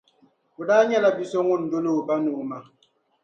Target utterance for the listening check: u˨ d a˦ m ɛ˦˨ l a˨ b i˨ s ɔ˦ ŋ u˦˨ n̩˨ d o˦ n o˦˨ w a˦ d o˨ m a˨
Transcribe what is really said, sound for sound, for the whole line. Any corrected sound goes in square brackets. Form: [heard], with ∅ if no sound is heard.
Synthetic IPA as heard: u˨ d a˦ [ɲ] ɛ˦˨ l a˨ b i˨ s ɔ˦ ŋ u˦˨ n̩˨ d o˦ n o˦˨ [b] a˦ [n] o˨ m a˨